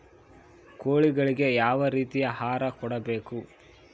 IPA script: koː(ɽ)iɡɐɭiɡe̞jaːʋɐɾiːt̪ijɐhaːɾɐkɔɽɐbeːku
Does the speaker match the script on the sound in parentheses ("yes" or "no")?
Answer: no